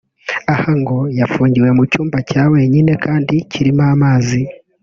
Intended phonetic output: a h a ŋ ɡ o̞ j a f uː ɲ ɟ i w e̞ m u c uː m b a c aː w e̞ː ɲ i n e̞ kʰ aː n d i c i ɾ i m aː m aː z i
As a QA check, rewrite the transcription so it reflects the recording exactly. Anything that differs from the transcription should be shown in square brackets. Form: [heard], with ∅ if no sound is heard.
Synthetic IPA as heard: a h a ŋ ɡ o̞ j a f uː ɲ ɟ i w e̞ m u c uː m b a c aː w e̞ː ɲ i n e̞ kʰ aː n d i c i ɾ i m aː m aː z i